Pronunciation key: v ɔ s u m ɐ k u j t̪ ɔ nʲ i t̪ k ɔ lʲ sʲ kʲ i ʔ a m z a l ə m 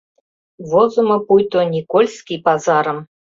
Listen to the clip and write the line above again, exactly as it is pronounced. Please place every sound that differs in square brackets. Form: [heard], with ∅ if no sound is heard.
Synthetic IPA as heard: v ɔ [z] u m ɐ [p] u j t̪ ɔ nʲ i [∅] k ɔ lʲ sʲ kʲ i [p] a [∅] z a [ɾ] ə m